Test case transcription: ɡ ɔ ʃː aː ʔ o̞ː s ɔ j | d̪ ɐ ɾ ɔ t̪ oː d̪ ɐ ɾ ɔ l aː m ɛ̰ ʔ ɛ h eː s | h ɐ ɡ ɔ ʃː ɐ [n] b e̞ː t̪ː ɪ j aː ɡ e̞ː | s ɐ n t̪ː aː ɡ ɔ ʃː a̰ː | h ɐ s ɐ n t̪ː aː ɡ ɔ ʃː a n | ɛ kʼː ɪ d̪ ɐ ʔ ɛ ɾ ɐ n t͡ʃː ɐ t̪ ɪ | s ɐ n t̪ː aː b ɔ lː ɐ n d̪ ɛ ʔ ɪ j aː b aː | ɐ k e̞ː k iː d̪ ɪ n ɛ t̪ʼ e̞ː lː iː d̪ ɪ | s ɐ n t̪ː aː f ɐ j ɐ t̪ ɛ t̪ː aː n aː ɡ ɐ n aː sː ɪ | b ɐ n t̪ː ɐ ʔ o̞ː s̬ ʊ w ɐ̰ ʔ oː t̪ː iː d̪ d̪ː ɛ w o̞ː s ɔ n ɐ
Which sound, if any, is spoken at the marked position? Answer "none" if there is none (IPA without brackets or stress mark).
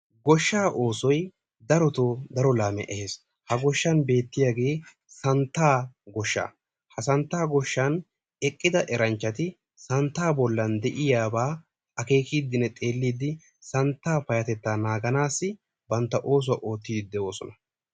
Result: n